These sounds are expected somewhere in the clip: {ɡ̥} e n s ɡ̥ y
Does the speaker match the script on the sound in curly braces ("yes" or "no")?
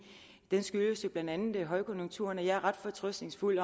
no